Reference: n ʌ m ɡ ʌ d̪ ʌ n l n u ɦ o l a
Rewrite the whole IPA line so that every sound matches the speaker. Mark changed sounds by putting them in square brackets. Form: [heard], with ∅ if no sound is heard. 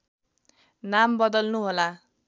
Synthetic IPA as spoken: n [a] m [b] ʌ d̪ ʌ [∅] l n u ɦ o l a